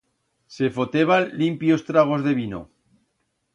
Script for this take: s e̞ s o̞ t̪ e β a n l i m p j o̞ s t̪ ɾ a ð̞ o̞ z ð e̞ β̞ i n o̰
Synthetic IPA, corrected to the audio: s e̞ f o̞ t̪ e β a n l i m p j o̞ s t̪ ɾ a ɣ̞ o̞ z ð e̞ β̞ i n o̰